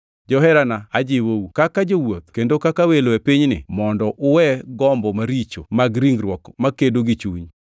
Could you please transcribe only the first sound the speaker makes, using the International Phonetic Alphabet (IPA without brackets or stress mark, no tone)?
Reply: d͡ʒ